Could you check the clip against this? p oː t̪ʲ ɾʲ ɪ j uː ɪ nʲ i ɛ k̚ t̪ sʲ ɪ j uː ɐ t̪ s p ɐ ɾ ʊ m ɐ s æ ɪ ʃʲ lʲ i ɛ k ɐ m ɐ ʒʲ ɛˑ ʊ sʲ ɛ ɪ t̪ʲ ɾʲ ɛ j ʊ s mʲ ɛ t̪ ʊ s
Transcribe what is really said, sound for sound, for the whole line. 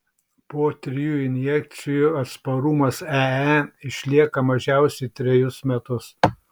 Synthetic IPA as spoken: p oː t̪ʲ ɾʲ ɪ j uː ɪ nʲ j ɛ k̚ t̪ sʲ ɪ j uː ɐ t̪ s p ɐ ɾ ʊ m ɐ s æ ɪ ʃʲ lʲ i ɛ k ɐ m ɐ ʒʲ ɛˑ ʊ sʲ ɛ ɪ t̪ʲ ɾʲ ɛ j ʊ s mʲ ɛ t̪ ʊ s